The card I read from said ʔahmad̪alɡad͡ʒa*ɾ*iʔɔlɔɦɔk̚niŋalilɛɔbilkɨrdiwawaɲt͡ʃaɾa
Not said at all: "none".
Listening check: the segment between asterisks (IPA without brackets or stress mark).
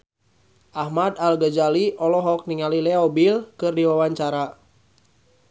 l